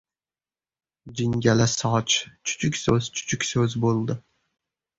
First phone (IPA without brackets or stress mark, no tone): d͡ʒ